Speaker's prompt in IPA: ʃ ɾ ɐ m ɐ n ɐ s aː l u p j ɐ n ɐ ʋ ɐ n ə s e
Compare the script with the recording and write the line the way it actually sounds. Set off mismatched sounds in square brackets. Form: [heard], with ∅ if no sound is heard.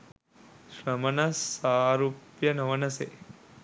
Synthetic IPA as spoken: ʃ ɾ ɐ m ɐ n ɐ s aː [ɾ] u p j ɐ n ɐ ʋ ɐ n [ɐ] s e